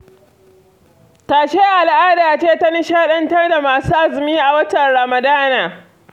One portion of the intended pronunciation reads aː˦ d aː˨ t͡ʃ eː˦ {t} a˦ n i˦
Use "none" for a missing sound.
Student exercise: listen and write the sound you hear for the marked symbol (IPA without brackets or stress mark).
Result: t